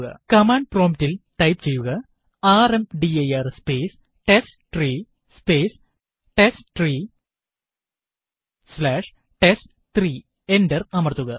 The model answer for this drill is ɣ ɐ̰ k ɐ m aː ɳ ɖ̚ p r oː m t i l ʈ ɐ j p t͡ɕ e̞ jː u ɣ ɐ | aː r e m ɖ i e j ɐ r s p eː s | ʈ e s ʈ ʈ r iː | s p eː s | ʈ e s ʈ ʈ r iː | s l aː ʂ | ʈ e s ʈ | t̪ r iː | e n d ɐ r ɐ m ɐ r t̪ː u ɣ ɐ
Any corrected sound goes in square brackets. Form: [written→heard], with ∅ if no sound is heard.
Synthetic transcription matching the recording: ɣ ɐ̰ k ɐ m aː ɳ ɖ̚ p r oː m t i l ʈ ɐ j p t͡ɕ e̞ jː u ɣ ɐ | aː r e m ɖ i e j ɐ r s p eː s | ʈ e s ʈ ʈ r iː | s p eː s | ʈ e s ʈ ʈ r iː | s l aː ʂ | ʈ e s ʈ | t̪ r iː | e n d ɐ r ɐ m ɐ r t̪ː u ɣ ɐ